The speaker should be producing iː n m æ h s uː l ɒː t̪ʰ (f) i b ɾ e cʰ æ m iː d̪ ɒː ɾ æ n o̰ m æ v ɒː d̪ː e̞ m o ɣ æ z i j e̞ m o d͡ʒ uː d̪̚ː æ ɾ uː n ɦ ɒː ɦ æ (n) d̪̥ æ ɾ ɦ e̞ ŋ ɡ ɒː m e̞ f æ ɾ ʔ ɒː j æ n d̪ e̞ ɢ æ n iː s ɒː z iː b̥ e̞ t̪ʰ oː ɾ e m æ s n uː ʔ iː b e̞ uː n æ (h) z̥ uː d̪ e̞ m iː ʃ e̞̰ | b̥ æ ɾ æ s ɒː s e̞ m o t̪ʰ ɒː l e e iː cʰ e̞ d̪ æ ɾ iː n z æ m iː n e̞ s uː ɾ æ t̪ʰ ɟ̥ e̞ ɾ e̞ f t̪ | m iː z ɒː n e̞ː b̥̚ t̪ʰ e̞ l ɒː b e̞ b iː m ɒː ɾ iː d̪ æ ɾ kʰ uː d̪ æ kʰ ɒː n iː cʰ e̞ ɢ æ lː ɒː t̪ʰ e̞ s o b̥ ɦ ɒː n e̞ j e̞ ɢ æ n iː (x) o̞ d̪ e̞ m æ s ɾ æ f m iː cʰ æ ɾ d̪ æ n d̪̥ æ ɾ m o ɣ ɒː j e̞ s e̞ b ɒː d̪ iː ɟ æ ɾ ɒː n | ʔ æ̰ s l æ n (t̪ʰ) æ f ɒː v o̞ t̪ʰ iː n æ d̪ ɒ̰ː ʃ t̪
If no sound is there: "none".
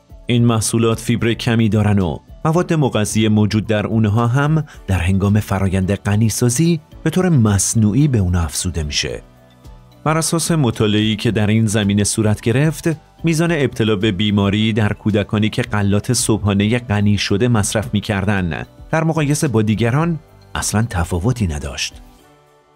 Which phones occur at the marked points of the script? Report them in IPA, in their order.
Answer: f, m, f, ʃ, t̪ʰ

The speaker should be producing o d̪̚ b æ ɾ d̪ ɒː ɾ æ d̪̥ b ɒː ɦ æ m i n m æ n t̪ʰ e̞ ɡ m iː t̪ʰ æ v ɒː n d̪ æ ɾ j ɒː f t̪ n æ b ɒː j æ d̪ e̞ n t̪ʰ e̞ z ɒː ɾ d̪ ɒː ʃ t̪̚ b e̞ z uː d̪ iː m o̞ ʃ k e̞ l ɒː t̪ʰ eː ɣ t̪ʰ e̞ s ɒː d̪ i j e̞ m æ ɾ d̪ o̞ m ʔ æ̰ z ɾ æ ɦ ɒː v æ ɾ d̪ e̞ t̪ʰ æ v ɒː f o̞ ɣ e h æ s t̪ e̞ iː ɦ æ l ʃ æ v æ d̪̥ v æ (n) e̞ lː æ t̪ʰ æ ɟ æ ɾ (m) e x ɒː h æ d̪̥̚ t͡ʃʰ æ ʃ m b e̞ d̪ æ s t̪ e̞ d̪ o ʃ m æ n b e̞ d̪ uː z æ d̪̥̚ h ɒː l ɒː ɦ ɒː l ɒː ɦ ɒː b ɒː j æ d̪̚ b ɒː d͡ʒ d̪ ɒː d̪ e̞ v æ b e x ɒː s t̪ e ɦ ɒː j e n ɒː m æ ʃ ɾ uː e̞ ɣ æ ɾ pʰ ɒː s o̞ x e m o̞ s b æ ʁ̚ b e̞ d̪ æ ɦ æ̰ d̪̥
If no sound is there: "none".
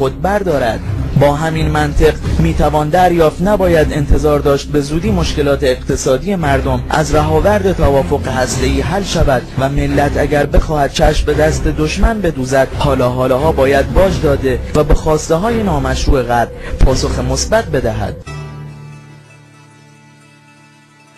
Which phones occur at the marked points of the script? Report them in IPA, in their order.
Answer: m, b

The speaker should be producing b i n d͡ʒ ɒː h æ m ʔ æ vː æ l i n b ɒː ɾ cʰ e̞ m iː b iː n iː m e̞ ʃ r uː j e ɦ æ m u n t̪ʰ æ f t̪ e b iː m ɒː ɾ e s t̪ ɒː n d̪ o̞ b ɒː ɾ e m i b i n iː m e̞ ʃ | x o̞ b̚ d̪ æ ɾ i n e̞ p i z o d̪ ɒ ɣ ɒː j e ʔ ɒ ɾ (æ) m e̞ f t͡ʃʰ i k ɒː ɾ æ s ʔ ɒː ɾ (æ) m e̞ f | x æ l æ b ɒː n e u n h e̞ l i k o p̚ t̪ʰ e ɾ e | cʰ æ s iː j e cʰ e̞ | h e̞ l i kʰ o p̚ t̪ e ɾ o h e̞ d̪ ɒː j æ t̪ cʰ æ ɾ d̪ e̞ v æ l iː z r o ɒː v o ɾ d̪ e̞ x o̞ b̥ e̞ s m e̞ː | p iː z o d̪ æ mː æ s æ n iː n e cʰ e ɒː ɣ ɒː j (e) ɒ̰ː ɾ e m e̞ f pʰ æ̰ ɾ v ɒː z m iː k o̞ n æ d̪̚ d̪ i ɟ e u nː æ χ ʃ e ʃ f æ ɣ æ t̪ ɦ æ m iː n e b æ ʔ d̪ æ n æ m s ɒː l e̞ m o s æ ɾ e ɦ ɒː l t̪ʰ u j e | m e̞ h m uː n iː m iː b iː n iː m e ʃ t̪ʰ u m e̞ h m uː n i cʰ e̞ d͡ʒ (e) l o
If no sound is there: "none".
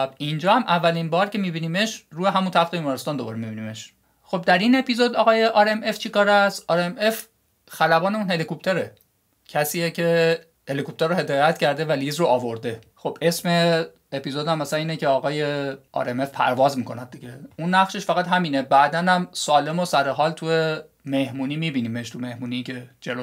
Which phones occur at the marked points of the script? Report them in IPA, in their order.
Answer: e, e, e, e

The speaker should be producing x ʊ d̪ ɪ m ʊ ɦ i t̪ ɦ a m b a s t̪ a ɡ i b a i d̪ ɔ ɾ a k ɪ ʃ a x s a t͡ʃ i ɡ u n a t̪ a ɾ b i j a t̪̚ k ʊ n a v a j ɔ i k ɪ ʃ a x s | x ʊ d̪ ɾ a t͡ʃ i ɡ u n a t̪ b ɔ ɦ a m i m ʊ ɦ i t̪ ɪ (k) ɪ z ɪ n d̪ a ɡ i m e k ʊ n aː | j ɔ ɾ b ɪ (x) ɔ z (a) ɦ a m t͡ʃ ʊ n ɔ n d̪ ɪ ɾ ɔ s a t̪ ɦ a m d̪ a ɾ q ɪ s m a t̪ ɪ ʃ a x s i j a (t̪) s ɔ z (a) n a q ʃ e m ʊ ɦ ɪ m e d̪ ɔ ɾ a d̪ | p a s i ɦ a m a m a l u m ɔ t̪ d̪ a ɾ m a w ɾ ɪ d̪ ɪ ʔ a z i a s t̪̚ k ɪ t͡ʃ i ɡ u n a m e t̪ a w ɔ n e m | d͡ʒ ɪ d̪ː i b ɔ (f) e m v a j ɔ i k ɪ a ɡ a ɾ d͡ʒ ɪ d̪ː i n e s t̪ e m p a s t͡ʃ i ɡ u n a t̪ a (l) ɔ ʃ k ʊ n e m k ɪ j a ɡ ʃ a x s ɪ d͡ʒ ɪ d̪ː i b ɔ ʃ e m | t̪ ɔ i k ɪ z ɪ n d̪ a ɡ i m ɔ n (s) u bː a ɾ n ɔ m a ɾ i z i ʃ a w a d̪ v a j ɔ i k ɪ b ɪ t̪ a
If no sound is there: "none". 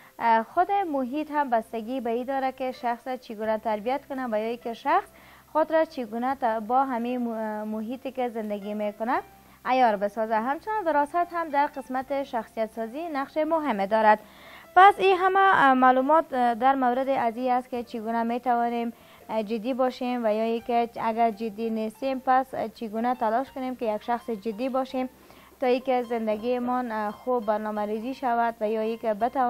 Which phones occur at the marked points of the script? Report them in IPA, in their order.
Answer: k, s, a, t̪, i, ʃ, l, x

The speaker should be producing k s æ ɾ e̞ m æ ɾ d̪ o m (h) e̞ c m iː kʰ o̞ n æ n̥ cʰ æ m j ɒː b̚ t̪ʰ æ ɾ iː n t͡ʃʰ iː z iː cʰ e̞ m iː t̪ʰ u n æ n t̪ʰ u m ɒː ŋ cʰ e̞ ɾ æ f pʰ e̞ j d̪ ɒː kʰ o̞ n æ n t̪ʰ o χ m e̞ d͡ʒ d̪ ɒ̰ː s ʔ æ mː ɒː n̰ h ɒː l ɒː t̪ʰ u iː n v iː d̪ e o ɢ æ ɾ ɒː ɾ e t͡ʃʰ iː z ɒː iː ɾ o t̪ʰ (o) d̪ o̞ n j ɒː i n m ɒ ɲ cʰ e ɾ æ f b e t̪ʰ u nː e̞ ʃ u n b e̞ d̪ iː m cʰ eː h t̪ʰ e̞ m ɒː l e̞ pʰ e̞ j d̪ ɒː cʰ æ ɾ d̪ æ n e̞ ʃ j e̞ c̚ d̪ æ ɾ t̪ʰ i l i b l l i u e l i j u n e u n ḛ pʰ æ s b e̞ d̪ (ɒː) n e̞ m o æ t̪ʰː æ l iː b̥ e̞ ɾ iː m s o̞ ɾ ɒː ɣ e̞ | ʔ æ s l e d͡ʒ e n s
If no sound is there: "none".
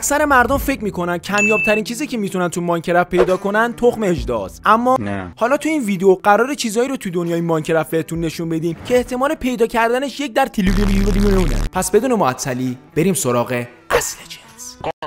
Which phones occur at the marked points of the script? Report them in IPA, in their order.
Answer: f, u, uː

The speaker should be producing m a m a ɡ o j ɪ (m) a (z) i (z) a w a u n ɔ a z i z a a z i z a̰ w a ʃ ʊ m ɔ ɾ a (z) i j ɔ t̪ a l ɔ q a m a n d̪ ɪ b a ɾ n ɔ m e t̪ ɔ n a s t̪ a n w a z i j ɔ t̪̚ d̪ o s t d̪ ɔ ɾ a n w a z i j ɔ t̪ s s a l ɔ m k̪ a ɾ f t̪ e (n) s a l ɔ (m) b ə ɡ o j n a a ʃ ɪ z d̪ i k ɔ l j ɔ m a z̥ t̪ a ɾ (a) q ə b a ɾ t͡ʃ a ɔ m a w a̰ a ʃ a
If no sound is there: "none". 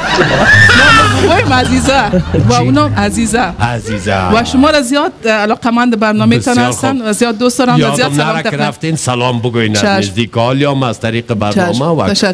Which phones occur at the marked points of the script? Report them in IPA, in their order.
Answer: m, z, z, z, n, m, i

